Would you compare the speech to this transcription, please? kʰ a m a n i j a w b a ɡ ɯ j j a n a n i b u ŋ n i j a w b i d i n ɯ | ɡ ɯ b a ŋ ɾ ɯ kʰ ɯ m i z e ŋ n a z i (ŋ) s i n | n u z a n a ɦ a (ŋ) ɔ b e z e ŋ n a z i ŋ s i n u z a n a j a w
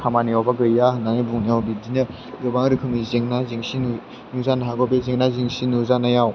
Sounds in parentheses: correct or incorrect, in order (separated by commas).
correct, incorrect